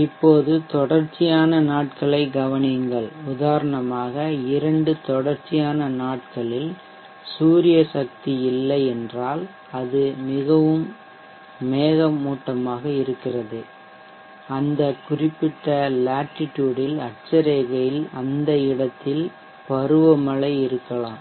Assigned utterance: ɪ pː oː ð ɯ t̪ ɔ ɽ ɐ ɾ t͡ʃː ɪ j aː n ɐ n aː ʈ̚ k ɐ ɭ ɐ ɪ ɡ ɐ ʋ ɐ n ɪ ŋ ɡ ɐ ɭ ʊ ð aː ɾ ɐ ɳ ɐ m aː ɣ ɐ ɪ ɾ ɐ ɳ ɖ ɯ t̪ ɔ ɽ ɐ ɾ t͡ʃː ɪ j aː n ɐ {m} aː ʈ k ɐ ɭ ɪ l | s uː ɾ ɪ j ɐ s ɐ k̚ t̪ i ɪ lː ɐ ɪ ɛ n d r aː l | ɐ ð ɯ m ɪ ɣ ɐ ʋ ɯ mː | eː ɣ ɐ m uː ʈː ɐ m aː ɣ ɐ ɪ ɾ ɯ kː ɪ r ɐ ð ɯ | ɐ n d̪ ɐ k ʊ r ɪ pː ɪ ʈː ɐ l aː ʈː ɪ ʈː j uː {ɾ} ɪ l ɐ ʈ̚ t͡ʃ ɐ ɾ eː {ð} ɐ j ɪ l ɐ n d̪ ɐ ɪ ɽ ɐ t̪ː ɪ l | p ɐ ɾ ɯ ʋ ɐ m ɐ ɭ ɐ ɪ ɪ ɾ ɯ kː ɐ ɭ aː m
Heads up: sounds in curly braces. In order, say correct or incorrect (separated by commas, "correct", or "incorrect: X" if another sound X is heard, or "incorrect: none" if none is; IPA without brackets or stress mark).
incorrect: n, incorrect: ɽ, incorrect: ɣ